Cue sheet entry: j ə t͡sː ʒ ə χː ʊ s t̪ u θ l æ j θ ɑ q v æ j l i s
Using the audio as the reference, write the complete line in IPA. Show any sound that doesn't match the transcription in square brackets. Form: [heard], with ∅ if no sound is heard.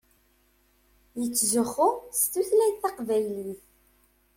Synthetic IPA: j ə t͡sː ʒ ə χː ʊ s t̪ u θ l æ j θ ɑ q v æ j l i [θ]